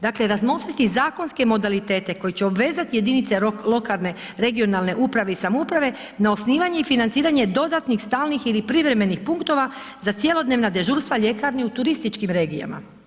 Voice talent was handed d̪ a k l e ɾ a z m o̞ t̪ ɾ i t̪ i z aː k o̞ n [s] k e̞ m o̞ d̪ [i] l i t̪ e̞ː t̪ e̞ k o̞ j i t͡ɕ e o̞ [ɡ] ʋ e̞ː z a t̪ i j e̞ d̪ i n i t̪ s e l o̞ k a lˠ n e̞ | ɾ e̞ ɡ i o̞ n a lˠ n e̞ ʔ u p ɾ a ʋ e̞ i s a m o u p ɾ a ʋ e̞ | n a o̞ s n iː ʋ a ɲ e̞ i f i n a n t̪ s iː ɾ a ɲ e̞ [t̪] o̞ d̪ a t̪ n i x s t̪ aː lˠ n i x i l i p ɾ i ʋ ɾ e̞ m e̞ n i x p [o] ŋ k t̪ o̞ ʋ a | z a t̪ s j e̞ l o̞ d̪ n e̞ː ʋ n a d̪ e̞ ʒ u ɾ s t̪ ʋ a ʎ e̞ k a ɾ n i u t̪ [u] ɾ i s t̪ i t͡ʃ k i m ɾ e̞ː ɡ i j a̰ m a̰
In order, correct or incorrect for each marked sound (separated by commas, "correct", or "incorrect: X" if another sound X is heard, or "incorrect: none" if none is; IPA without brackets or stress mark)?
correct, incorrect: a, incorrect: b, incorrect: d̪, incorrect: u, correct